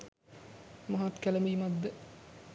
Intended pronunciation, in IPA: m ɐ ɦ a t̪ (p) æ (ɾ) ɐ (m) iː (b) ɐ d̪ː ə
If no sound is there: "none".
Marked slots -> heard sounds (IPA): k, l, m, m

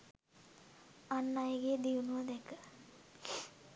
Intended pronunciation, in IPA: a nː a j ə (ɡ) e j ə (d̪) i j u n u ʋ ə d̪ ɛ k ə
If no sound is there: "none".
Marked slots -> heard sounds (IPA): ɡ, d̪

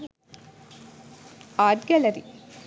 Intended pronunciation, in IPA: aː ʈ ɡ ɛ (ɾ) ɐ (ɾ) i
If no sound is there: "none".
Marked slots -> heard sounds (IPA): l, ɾ

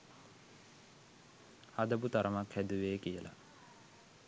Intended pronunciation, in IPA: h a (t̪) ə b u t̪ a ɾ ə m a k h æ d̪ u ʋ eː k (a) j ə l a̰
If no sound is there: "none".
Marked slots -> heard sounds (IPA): d̪, i

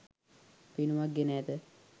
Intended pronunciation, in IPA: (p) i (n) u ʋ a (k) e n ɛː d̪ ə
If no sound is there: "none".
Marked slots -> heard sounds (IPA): p, n, ɡ

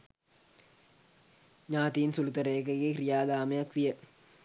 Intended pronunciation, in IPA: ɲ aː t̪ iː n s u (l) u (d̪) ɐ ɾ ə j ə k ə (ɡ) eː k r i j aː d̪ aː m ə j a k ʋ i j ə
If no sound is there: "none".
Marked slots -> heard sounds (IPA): l, t̪, ɡ

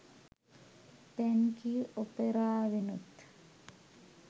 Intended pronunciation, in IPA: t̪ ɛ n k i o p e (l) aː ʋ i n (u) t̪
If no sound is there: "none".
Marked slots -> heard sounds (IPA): ɾ, u

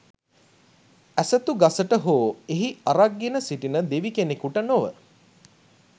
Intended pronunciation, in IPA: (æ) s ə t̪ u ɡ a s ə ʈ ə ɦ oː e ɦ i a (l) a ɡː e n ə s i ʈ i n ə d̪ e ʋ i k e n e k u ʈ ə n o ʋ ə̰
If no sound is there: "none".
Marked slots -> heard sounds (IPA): æ, ɾ

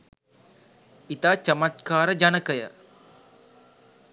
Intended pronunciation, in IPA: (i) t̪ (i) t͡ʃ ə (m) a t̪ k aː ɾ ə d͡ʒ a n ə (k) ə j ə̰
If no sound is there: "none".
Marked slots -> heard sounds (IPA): i, a, m, k

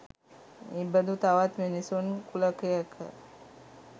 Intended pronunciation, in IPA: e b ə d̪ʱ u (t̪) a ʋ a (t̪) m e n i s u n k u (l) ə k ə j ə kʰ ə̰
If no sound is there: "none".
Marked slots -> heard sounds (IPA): t̪, t̪, l

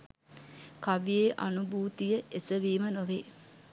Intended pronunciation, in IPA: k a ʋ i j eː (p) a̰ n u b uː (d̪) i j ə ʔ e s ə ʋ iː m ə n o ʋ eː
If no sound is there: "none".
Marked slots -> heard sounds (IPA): ʔ, t̪

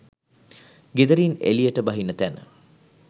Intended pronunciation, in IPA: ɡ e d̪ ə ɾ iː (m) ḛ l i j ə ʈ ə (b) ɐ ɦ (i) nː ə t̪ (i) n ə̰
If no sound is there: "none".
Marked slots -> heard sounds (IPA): n, b, i, æ

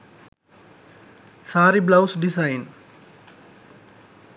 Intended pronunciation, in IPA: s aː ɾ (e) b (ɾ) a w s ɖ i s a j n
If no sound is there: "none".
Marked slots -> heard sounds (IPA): i, l

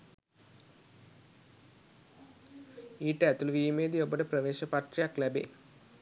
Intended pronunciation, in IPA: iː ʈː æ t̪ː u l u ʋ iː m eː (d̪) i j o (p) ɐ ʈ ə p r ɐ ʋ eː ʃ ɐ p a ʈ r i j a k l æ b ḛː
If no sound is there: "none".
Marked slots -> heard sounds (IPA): d̪, b

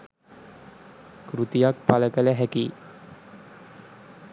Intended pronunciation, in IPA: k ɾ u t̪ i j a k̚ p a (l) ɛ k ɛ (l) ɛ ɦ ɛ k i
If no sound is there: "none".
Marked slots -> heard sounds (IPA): l, l

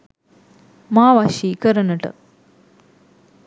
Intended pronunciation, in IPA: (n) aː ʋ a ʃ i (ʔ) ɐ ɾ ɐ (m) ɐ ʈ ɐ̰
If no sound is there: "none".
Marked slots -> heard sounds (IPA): m, k, n

